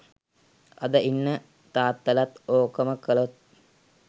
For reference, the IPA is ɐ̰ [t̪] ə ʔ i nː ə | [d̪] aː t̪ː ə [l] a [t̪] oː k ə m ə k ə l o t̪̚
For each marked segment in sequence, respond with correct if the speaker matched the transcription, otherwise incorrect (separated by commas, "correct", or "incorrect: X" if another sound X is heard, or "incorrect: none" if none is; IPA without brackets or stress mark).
incorrect: d̪, incorrect: t̪, correct, correct